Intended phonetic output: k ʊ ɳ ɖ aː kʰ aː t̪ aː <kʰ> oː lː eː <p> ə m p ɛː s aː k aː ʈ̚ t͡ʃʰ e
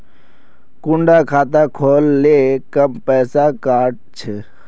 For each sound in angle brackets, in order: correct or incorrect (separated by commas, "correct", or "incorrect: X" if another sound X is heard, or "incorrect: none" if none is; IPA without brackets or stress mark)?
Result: correct, incorrect: k